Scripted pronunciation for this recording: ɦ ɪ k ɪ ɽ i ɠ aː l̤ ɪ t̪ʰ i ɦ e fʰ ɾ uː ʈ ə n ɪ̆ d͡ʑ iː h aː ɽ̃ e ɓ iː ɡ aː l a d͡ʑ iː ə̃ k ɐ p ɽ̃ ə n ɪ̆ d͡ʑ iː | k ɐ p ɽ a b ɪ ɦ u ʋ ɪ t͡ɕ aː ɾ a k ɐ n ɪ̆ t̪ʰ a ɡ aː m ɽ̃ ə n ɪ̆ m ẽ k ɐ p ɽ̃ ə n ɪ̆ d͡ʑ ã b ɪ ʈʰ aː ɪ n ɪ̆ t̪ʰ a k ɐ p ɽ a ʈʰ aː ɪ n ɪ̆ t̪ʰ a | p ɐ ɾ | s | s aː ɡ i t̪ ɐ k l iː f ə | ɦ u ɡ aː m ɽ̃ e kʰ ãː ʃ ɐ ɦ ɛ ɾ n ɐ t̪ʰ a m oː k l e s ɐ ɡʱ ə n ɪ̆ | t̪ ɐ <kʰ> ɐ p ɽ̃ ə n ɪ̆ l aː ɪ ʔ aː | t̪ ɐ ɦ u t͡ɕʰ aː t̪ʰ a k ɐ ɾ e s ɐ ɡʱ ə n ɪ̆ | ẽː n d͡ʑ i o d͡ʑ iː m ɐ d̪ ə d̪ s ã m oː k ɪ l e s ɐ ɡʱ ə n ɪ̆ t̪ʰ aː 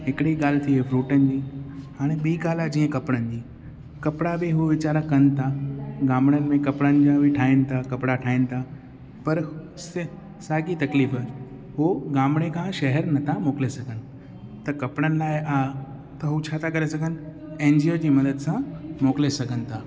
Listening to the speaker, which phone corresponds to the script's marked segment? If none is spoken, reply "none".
k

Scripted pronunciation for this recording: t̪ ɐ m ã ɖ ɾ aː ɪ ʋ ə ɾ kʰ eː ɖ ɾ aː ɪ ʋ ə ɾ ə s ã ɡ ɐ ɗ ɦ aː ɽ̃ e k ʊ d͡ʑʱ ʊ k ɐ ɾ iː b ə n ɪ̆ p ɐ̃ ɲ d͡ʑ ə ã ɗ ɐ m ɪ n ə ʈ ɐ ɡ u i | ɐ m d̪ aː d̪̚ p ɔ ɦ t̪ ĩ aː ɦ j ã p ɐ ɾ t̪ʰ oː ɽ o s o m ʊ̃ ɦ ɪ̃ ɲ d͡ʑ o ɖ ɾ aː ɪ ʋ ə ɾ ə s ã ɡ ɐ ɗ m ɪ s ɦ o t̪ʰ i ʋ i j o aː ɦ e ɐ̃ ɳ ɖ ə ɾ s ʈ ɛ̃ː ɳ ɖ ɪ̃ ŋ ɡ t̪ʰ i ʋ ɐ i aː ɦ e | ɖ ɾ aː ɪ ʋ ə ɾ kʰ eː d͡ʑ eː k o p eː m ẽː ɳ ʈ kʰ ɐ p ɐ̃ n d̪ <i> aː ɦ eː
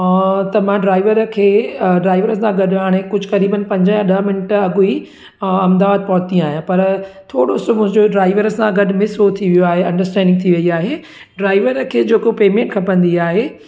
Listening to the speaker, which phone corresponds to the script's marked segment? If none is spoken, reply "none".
i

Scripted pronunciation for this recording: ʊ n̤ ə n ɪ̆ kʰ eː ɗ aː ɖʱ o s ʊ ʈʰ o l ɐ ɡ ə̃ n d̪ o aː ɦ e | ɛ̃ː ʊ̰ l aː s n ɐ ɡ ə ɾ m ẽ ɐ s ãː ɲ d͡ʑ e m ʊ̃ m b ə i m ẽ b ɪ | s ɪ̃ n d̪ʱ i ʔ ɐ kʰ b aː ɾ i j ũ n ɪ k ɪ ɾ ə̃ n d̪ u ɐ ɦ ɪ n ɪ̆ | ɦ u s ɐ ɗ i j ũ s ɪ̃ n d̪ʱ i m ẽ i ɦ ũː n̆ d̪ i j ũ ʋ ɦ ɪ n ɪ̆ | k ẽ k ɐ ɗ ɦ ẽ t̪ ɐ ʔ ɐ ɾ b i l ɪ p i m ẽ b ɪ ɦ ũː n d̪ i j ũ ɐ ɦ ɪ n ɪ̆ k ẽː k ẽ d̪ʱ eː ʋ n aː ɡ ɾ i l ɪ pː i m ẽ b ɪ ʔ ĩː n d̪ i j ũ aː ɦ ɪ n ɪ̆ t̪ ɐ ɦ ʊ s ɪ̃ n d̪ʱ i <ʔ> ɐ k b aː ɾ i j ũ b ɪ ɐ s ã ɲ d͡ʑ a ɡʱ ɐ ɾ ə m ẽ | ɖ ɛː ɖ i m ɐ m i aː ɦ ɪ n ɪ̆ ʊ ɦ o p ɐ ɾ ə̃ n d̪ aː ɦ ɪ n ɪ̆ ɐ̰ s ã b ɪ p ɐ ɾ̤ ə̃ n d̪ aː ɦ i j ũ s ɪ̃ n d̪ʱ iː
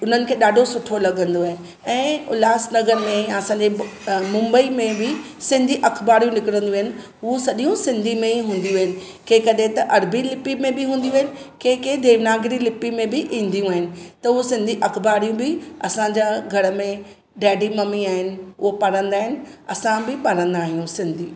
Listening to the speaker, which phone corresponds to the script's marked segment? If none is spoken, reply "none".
ʔ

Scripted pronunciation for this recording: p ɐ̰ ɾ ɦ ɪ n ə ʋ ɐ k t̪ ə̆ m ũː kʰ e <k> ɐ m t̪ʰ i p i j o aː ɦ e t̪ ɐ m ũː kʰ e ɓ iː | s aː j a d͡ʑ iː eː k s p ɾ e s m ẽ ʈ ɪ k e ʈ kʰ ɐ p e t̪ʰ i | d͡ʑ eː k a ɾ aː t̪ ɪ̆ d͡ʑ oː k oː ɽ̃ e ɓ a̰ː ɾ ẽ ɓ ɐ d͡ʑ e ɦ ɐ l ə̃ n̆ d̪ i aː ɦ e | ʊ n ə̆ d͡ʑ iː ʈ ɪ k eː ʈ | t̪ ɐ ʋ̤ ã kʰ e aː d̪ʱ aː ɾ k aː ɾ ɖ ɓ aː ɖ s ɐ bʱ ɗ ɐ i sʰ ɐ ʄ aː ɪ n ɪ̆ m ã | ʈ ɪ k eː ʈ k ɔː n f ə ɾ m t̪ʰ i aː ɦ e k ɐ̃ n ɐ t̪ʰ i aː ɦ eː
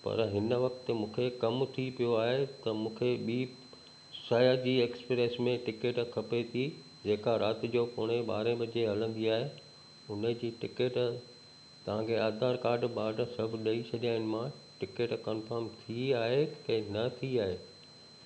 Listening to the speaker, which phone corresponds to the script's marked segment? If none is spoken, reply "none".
k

